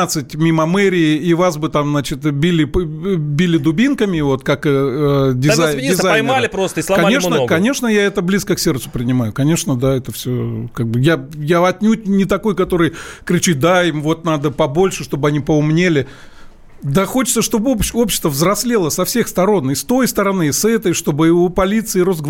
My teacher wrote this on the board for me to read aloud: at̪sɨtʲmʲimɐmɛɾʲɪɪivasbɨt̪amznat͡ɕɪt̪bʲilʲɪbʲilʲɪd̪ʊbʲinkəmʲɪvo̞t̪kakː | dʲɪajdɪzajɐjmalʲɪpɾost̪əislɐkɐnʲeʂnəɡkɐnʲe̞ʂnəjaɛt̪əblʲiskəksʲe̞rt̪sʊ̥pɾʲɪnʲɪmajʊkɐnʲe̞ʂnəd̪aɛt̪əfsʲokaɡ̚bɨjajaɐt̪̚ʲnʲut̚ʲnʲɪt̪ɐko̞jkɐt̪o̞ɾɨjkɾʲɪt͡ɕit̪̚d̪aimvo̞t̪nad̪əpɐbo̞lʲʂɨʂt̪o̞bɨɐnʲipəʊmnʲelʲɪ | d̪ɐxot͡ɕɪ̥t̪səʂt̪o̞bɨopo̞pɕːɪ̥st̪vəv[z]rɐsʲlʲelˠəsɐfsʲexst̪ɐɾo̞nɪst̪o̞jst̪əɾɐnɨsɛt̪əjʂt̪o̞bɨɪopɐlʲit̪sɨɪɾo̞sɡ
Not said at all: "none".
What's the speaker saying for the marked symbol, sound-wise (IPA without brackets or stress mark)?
z